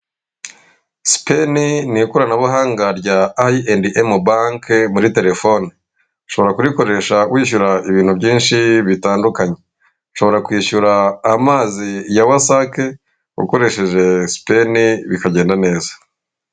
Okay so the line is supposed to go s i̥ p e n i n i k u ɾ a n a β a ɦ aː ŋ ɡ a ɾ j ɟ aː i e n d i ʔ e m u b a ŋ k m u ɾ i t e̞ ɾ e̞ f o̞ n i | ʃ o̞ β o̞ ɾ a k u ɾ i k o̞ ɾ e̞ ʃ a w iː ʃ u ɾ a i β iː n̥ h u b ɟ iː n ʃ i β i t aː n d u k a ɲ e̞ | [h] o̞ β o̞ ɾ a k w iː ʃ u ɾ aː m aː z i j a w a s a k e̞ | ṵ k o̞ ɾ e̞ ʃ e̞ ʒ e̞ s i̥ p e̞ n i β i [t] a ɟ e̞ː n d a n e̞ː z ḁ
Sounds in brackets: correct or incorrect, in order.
incorrect: ʃ, incorrect: k

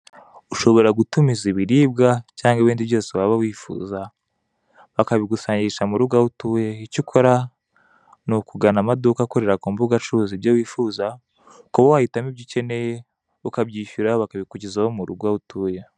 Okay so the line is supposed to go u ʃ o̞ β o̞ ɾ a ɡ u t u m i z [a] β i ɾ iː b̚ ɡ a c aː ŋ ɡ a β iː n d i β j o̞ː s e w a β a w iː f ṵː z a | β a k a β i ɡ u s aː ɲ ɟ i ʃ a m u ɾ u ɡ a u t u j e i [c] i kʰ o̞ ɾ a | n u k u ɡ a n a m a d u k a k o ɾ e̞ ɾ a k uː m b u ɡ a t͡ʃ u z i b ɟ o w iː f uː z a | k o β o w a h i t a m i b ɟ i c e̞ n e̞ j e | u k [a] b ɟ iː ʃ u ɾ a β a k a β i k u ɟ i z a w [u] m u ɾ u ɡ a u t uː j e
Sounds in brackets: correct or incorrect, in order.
incorrect: i, correct, correct, incorrect: o

